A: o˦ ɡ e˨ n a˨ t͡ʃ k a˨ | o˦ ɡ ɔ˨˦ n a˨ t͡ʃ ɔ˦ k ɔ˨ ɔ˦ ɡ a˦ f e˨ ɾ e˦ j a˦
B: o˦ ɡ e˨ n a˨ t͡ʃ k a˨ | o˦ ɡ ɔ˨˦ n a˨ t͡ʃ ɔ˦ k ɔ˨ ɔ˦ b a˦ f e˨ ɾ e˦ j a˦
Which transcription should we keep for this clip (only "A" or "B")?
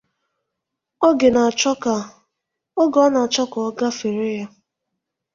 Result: A